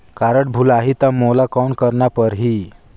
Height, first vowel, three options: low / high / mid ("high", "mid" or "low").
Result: low